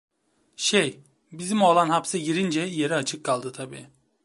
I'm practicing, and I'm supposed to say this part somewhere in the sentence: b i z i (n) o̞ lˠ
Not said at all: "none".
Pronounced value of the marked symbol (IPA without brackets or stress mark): m